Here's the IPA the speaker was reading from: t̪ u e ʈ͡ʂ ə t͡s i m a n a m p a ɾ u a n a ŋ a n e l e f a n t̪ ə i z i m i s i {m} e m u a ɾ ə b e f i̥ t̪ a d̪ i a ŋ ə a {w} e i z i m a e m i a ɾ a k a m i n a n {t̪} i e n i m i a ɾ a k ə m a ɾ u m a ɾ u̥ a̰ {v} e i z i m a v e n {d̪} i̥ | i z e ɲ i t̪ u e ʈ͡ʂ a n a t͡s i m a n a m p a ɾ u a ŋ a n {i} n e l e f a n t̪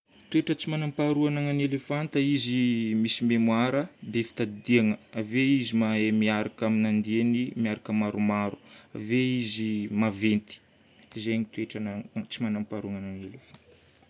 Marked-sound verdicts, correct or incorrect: correct, incorrect: v, incorrect: d̪, correct, incorrect: t̪, incorrect: a

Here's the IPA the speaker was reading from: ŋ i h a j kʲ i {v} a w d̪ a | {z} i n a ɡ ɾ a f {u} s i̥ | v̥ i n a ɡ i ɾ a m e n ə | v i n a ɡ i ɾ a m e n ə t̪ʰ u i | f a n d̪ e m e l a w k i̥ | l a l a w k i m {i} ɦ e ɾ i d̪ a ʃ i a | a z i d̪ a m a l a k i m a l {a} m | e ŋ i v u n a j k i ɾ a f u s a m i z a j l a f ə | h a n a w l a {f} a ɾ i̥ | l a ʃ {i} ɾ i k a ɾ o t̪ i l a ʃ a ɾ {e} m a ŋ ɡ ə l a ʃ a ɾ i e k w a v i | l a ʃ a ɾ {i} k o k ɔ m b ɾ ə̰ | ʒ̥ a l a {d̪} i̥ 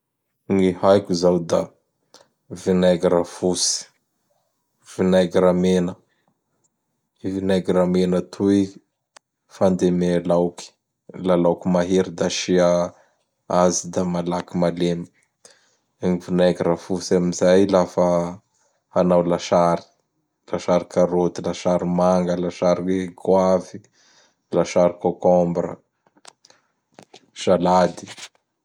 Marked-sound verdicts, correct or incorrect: incorrect: z, incorrect: v, correct, incorrect: a, incorrect: e, incorrect: ʃ, incorrect: a, incorrect: i, correct, correct

